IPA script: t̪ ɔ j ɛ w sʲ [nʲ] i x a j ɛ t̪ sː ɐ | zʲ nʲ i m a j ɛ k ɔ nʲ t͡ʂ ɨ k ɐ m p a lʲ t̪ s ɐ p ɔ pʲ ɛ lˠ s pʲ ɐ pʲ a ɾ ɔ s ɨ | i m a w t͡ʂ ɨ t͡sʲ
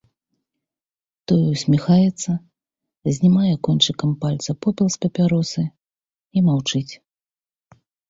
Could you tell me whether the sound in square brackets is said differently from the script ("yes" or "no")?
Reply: yes